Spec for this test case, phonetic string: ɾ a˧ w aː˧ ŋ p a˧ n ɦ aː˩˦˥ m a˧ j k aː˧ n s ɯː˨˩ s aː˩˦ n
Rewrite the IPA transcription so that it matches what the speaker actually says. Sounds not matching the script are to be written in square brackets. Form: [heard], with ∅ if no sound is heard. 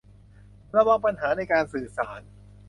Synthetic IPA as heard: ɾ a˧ w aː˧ ŋ p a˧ n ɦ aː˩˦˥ [n] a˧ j k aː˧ n s ɯː˨˩ s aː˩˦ n